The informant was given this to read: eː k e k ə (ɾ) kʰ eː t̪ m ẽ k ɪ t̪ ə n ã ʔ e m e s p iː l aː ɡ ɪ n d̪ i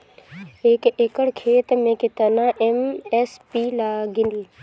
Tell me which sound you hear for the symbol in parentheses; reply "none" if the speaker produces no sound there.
ɽ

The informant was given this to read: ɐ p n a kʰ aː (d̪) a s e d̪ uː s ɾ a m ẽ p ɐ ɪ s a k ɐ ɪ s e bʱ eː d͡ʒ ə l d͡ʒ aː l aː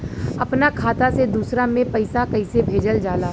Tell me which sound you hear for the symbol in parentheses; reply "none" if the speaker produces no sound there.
t̪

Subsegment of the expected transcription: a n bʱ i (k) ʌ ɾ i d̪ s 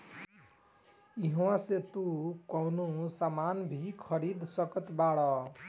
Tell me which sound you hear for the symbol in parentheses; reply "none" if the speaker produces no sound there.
kʰ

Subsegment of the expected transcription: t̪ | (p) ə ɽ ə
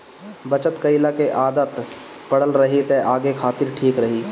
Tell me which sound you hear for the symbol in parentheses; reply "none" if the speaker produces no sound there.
p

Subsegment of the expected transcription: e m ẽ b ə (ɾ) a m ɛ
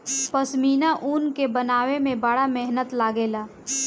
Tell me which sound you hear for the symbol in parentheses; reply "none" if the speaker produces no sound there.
ɽ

